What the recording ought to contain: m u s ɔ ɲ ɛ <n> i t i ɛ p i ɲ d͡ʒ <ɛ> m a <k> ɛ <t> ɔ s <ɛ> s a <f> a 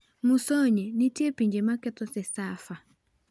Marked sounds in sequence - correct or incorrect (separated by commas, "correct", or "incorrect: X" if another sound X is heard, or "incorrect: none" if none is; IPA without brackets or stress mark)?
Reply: correct, correct, correct, correct, correct, correct